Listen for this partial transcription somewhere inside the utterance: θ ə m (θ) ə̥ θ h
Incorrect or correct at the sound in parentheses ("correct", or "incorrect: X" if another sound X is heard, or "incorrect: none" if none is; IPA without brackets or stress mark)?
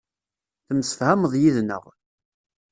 incorrect: s